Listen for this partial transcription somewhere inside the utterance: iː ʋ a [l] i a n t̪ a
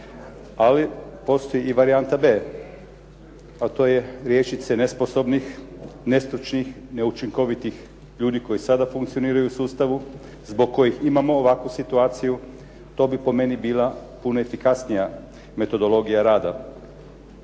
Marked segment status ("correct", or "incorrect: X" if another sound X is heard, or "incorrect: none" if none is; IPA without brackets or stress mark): incorrect: ɾ